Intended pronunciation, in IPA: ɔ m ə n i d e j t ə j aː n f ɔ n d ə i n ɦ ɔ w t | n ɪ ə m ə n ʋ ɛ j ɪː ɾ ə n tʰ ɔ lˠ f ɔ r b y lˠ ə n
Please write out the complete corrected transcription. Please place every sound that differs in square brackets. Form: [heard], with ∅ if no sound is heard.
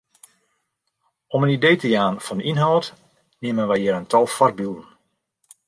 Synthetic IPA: ɔ m ə n i d e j t ə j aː n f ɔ n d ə i n ɦ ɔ w t | n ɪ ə m ə n ʋ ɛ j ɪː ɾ ə n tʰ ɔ lˠ f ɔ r b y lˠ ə n